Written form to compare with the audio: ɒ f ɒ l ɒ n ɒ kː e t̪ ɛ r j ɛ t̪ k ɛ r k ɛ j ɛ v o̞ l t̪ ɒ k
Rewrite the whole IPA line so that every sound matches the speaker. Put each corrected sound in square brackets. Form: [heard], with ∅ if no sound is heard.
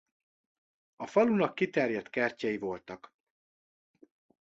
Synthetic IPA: ɒ f ɒ l [u] n ɒ kː [i] t̪ ɛ r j ɛ t̪ k ɛ r [c] ɛ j [i] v o̞ l t̪ ɒ k